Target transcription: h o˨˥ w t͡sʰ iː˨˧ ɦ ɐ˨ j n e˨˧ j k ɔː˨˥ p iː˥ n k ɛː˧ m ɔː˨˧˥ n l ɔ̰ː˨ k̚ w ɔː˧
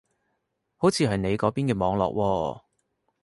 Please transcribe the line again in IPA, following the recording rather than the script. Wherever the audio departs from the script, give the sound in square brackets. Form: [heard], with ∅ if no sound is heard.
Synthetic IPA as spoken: h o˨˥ w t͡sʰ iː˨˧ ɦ ɐ˨ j n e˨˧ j k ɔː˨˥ p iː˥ n k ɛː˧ m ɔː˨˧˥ [ŋ] l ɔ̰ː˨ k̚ w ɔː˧